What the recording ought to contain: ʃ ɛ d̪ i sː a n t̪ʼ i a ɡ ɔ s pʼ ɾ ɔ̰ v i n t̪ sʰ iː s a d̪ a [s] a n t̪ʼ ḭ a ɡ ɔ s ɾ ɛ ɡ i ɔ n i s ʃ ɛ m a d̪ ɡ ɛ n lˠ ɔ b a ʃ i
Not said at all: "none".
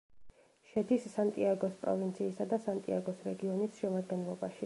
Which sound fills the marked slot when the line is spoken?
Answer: s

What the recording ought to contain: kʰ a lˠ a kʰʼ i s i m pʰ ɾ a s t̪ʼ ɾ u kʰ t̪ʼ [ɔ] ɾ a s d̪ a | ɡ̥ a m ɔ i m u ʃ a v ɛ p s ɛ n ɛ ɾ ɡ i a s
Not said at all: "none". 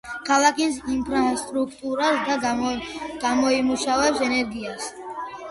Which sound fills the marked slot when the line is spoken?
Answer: u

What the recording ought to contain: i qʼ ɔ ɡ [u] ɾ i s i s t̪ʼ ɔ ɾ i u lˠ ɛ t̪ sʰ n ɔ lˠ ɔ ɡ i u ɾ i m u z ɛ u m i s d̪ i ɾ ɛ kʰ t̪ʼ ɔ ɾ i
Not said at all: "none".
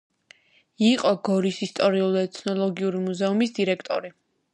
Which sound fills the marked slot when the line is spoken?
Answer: ɔ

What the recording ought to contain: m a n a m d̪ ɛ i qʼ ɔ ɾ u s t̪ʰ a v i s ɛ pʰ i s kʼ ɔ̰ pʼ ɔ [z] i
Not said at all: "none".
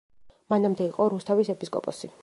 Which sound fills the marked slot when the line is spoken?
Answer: s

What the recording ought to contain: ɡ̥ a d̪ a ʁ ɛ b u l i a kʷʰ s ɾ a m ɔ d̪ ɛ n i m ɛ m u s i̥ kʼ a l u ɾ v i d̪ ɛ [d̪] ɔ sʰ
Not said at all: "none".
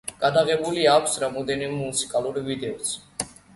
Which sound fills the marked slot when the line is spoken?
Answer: none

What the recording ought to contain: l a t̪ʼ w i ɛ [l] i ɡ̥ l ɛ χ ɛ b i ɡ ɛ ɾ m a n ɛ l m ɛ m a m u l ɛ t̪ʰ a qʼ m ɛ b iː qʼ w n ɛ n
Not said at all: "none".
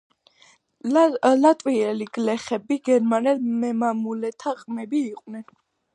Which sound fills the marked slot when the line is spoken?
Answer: l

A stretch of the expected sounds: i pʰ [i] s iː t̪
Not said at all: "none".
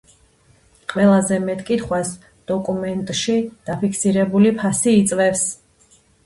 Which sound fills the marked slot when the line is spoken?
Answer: a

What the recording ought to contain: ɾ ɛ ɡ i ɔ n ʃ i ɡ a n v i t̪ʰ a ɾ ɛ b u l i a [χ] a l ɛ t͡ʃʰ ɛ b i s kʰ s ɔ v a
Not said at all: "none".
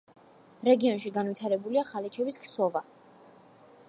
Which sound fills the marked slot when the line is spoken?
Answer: χ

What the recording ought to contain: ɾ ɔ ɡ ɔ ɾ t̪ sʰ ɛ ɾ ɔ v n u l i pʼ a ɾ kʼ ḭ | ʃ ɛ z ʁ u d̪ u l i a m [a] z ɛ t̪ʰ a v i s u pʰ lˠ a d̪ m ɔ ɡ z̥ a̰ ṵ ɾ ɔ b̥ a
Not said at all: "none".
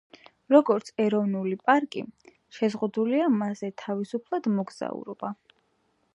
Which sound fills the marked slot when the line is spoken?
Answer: a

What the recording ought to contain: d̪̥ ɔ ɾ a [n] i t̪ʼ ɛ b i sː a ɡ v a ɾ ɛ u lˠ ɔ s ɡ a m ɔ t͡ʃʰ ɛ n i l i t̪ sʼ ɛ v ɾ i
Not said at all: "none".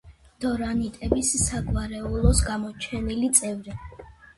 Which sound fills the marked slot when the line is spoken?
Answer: n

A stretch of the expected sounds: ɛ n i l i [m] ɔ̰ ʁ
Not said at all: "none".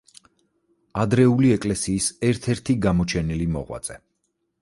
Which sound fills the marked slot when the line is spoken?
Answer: m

